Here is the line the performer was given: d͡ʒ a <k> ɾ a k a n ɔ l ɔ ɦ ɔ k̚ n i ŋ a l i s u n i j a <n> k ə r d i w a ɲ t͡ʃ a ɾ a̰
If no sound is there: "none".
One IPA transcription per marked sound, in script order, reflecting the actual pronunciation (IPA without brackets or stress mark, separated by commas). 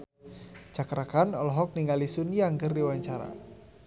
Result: k, ŋ